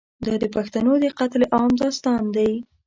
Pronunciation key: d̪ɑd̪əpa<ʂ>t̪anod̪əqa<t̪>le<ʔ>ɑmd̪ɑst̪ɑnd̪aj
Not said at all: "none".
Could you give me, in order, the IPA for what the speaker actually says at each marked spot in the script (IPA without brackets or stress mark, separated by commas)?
x, t̪, ʔ